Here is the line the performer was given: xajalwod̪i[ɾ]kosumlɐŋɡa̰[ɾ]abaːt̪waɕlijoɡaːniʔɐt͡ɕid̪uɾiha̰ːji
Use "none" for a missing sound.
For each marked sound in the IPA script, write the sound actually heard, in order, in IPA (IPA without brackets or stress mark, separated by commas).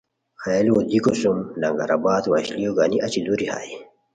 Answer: none, ɾ